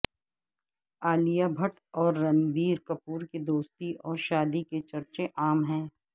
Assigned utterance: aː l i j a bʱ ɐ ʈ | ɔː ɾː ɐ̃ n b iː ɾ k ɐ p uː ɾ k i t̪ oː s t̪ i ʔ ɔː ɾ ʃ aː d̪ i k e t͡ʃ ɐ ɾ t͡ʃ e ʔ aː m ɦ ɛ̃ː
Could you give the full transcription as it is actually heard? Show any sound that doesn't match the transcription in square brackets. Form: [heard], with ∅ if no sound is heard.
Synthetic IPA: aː l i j a bʱ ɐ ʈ | ɔː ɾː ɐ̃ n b iː ɾ k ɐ p uː ɾ k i [d̪] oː s t̪ i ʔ ɔː ɾ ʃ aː d̪ i k e t͡ʃ ɐ ɾ t͡ʃ e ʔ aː m ɦ ɛ̃ː